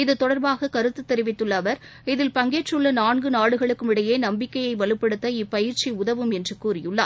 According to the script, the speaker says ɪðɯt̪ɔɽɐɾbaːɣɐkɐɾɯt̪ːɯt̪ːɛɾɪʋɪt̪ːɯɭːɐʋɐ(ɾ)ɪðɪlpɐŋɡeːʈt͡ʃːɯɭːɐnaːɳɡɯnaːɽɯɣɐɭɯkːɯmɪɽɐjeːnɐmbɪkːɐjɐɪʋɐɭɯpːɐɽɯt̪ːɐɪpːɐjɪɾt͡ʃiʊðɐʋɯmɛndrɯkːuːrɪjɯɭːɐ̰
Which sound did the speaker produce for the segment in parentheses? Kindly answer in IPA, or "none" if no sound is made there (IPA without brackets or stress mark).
ɾ